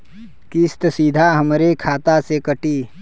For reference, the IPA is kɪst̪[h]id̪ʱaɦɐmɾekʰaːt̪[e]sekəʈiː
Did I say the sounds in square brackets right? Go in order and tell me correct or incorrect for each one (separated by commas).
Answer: incorrect, incorrect